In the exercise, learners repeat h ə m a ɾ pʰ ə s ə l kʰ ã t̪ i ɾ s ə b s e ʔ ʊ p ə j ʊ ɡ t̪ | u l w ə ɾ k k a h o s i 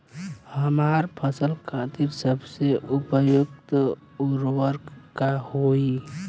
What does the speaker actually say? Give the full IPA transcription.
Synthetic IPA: h ə m a ɾ pʰ ə s ə l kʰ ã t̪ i ɾ s ə b s e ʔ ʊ p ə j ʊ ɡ t̪ | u ɾ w ə ɾ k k a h o i